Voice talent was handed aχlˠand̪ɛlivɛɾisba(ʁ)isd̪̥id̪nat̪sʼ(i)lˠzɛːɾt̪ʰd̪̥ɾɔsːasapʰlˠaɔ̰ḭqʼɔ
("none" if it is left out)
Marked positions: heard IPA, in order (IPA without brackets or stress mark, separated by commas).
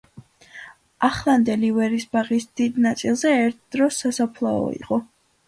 ʁ, i